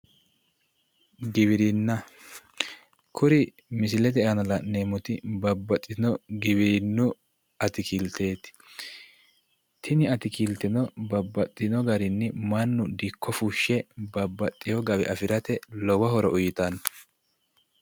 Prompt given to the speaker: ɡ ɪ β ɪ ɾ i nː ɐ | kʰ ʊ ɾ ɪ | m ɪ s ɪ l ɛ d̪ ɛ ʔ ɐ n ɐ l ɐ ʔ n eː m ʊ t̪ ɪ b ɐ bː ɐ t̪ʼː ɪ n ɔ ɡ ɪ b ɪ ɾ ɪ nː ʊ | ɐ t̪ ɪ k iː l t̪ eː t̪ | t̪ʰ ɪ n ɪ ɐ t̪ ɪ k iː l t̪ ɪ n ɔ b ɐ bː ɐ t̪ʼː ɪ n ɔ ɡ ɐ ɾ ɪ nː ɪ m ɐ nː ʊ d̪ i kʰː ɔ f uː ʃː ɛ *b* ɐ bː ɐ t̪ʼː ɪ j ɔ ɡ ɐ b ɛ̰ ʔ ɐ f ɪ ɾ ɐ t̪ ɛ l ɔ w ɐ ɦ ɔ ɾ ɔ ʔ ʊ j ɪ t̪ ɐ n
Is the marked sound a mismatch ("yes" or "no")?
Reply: no